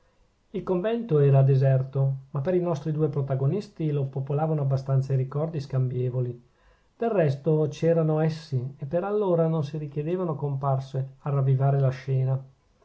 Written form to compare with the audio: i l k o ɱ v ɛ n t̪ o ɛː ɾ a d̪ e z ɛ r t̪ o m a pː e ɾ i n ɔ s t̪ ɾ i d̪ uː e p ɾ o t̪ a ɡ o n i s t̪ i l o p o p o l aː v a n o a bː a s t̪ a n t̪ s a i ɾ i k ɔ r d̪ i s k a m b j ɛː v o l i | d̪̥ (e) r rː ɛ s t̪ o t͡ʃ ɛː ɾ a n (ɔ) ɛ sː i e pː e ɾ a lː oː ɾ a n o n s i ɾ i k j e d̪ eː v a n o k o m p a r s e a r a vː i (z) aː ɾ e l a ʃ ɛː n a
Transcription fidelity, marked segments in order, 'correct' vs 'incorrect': correct, incorrect: o, incorrect: v

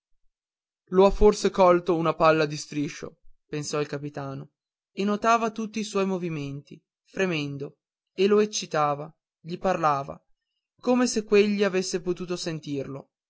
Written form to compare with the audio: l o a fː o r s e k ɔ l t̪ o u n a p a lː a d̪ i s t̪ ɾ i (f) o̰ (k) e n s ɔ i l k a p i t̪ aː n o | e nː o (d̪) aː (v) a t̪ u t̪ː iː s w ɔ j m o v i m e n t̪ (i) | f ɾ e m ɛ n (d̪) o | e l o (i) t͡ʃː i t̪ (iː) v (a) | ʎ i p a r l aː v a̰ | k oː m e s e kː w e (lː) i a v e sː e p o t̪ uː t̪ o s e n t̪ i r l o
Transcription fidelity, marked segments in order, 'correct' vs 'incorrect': incorrect: ʃ, incorrect: p, incorrect: t̪, correct, correct, correct, incorrect: e, incorrect: aː, correct, incorrect: ʎː

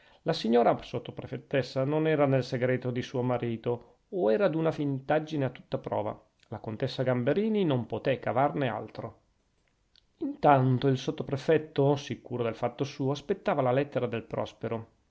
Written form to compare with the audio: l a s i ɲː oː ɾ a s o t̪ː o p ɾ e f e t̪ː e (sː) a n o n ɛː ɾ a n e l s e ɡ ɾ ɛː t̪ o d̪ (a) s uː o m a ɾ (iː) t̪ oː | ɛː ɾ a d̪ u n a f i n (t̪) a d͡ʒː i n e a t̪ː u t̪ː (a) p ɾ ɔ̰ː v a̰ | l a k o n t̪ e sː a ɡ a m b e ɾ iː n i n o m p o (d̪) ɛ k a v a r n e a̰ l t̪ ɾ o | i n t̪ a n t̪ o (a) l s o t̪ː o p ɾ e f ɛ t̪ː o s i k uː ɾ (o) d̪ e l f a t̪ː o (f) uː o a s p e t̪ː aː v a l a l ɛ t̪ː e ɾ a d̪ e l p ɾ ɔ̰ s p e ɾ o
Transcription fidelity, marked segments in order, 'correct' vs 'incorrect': correct, incorrect: i, correct, correct, correct, incorrect: t̪, incorrect: i, correct, incorrect: s

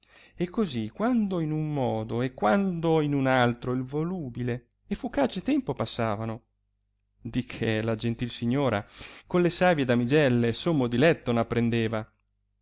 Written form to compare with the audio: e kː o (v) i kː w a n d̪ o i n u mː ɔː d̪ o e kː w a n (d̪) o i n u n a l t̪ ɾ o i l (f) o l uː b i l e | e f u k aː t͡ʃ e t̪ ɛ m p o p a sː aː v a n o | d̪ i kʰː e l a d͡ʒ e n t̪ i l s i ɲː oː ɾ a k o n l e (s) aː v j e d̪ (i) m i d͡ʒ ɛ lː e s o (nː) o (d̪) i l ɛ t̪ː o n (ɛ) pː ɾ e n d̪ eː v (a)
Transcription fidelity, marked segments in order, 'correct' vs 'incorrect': incorrect: z, correct, incorrect: v, correct, incorrect: a, incorrect: mː, correct, incorrect: a, correct

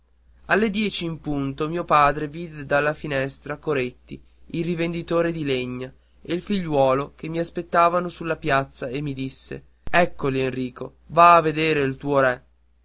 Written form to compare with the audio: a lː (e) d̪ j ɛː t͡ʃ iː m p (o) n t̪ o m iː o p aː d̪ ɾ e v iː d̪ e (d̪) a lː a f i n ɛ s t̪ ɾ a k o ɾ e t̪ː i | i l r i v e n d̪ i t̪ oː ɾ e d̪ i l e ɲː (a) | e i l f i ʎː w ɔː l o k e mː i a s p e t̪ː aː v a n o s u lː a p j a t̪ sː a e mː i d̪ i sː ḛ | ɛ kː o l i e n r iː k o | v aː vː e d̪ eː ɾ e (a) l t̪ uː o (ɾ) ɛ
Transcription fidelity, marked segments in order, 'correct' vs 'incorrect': correct, incorrect: u, correct, correct, incorrect: i, correct

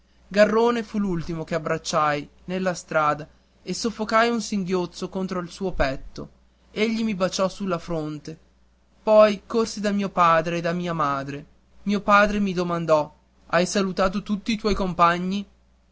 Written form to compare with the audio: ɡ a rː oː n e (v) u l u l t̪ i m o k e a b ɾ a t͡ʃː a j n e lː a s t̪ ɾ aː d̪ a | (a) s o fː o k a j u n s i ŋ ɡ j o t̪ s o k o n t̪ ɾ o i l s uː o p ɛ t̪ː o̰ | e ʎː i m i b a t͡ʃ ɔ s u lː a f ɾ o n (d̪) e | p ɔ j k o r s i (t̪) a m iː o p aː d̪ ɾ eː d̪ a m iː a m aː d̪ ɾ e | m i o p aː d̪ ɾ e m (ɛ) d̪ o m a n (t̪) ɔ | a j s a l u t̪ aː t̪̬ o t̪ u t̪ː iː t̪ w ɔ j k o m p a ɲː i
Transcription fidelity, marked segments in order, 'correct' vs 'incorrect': incorrect: f, incorrect: e, incorrect: t̪, incorrect: d̪, incorrect: i, incorrect: d̪

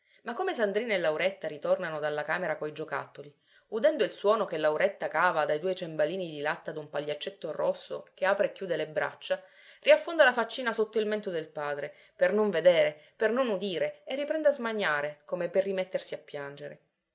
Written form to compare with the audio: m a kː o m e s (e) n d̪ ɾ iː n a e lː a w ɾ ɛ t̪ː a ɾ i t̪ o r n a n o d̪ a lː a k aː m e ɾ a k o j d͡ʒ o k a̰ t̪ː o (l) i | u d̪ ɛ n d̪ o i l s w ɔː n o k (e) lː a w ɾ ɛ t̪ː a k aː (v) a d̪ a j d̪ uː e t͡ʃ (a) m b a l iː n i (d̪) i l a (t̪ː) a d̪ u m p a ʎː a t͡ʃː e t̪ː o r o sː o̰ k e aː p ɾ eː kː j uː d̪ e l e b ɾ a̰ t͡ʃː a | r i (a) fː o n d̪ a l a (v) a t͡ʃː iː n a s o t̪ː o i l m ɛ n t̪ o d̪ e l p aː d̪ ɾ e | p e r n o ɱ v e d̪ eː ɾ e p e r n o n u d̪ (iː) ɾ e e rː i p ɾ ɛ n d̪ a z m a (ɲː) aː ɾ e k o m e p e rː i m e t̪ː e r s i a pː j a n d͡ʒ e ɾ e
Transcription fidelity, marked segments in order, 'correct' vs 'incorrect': incorrect: a, correct, correct, correct, incorrect: e, correct, correct, correct, incorrect: f, correct, correct

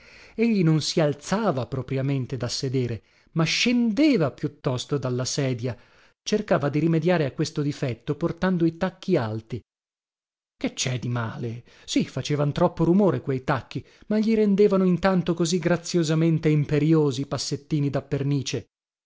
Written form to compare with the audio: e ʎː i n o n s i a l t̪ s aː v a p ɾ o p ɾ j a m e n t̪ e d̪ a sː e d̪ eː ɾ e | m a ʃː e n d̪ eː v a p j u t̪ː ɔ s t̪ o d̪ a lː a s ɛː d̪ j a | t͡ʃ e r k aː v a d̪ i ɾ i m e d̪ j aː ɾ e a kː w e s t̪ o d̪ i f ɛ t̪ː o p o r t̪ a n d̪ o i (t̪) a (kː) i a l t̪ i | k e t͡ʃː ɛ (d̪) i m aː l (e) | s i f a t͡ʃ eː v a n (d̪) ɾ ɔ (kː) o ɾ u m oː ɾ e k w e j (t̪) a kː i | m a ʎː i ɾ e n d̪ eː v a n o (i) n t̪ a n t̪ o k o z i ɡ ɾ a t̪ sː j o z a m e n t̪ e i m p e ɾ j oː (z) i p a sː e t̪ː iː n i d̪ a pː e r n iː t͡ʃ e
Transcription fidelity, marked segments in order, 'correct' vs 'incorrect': correct, correct, correct, correct, incorrect: t̪, incorrect: pː, correct, correct, correct

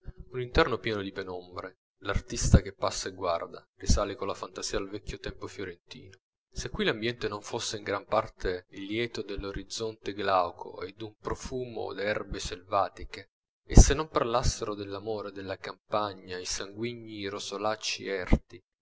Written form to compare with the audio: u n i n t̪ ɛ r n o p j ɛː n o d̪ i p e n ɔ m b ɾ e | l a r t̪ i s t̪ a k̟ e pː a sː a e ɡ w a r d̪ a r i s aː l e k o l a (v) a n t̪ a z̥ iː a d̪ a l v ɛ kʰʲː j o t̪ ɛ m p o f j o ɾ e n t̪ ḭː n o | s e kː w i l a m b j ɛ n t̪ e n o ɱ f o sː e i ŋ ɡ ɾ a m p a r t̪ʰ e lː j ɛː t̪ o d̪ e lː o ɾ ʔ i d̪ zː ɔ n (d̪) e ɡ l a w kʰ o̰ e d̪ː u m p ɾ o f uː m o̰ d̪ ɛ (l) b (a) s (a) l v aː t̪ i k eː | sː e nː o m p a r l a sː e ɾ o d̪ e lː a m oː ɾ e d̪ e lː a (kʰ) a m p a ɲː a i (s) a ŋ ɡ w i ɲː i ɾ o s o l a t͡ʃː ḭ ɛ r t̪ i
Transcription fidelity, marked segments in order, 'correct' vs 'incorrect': incorrect: f, incorrect: t̪, incorrect: r, incorrect: e, incorrect: e, incorrect: k, correct

